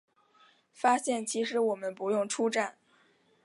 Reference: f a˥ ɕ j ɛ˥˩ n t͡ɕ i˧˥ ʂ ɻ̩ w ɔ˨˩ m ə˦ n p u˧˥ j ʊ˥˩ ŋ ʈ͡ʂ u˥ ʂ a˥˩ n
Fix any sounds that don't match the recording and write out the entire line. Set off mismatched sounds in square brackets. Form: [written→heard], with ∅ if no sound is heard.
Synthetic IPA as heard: f a˥ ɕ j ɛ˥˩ n [t͡ɕ→t͡ɕʰ] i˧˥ ʂ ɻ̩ w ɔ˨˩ m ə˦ n p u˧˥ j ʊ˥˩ ŋ [ʈ͡ʂ→ʈ͡ʂʰ] u˥ [ʂ→ʈ͡ʂ] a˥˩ n